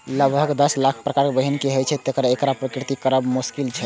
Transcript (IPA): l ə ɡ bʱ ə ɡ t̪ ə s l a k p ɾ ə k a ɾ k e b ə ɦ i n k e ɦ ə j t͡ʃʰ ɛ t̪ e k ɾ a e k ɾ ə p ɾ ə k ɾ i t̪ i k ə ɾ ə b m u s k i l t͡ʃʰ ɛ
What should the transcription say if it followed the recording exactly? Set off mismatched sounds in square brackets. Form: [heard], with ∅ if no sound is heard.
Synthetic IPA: l ə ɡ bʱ ə ɡ [d̪] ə s l a [kʰ] p ɾ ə k a ɾ k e b ə ɦ i n k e ɦ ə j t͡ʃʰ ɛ t̪ e k ɾ a e k ɾ [a] p ɾ ə k ɾ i t̪ i k ə ɾ ə b m u s k i l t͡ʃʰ ɛ

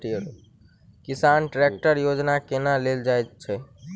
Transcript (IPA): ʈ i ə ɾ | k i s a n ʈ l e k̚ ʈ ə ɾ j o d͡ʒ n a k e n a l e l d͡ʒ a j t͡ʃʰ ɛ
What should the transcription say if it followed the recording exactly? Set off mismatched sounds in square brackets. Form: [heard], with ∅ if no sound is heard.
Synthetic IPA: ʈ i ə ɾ | k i s a n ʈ [ɾ] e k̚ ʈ ə ɾ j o d͡ʒ n a k e n a l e l d͡ʒ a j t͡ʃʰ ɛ

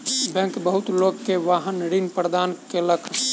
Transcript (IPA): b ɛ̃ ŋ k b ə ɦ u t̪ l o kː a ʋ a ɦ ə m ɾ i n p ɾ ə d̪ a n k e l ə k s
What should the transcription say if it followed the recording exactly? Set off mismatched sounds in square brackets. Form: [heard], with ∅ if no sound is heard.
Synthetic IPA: b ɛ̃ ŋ k b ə ɦ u t̪ l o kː [e] ʋ a ɦ ə [n] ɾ i n p ɾ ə d̪ a n k e l ə k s

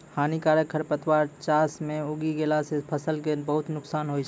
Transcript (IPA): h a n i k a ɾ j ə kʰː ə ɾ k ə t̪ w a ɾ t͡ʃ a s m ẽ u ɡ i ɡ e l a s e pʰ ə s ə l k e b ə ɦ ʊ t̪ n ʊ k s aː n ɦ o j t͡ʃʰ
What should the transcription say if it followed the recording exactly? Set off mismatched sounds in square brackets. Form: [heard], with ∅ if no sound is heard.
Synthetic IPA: h a n i k a ɾ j ə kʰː ə ɾ [p] ə t̪ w a ɾ t͡ʃ a s m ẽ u ɡ i ɡ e l a s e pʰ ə s ə l k e b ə ɦ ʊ t̪ n ʊ k s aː n ɦ o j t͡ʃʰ

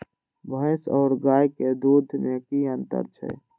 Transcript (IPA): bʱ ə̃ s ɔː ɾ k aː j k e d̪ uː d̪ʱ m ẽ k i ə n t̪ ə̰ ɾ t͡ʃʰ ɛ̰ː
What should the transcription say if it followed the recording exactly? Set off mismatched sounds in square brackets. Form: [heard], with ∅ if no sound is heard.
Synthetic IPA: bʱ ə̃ s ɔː ɾ [ɡ] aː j k e d̪ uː d̪ʱ m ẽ k i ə n t̪ ə̰ ɾ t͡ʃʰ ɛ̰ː

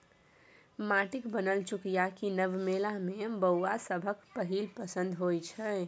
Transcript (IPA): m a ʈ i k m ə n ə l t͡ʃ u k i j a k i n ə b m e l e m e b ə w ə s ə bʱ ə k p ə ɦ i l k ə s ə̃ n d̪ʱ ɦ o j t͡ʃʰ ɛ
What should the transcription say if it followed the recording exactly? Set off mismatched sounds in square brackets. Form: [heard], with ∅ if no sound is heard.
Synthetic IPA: m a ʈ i k [b] ə n ə l t͡ʃ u k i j a k i n ə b m e l [a] m e b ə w [a] s ə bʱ ə k p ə ɦ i l [p] ə s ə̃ n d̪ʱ ɦ o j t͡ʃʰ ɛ

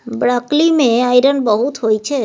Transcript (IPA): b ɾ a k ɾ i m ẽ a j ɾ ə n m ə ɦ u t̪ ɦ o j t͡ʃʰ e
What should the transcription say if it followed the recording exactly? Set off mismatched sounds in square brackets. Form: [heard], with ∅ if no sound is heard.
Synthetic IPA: b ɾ a k [l] i m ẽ a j ɾ ə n [b] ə ɦ u t̪ ɦ o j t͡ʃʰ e

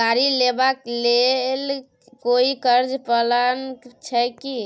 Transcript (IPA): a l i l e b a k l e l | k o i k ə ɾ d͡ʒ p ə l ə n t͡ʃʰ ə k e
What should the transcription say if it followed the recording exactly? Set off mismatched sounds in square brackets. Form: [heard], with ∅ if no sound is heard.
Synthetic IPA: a [ɾ] i l e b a k l e l | k o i k ə ɾ d͡ʒ p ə l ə n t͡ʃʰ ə k [i]

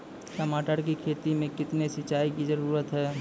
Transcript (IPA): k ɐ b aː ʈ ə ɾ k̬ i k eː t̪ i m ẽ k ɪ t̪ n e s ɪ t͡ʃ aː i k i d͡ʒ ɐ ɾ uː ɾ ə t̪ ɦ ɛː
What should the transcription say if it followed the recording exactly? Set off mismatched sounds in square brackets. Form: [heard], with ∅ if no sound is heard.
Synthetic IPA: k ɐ [m] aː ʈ ə ɾ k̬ i [kʰ] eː t̪ i m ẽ k ɪ t̪ n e s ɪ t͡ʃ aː i k i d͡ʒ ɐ ɾ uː ɾ ə t̪ ɦ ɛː

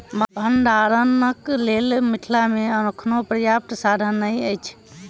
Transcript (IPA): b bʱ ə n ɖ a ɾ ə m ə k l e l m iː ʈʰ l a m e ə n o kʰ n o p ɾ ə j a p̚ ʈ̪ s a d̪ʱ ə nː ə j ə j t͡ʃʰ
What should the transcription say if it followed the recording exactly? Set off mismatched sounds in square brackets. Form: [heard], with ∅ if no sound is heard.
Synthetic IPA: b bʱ ə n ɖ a ɾ ə [n] ə k l e l m [i] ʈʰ l a m e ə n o kʰ n o p ɾ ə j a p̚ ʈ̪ s a d̪ʱ ə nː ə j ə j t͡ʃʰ

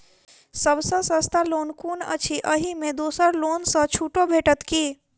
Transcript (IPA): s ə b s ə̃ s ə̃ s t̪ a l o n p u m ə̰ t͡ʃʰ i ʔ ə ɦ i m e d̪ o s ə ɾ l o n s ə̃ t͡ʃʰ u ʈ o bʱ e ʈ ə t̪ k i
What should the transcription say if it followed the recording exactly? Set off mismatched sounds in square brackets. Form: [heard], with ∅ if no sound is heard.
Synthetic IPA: s ə b s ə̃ s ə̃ s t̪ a l o n [k] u [n] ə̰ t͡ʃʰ i ʔ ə ɦ i m e d̪ o s ə ɾ l o n s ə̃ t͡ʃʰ u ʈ o bʱ e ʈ ə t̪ k i

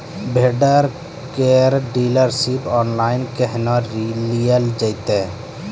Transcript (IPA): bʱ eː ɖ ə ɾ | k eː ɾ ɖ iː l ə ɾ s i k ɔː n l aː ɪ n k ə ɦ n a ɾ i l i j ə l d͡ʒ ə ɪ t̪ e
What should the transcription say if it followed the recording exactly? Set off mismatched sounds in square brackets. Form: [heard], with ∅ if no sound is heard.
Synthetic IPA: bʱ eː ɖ ə ɾ | k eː ɾ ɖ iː l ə ɾ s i [p] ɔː n l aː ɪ n k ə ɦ n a ɾ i l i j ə l d͡ʒ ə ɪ t̪ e

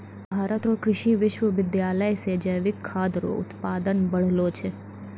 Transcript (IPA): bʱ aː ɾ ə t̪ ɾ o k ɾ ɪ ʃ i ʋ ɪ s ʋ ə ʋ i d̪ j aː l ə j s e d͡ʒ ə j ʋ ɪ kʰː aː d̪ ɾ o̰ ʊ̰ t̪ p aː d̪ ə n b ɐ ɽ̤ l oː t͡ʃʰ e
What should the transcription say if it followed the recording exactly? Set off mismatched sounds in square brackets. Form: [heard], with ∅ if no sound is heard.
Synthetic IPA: bʱ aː ɾ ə t̪ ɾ o k ɾ ɪ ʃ i ʋ ɪ [ʃ] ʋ ə ʋ [ɪ] d̪ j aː l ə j s e d͡ʒ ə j ʋ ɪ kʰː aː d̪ ɾ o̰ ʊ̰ t̪ p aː d̪ ə n b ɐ ɽ̤ l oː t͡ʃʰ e

